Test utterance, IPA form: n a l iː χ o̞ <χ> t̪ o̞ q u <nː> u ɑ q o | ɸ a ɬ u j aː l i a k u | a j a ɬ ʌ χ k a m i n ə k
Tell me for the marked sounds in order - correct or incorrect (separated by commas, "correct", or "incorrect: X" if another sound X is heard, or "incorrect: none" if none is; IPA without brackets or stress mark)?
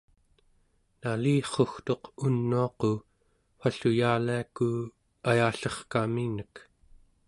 incorrect: x, correct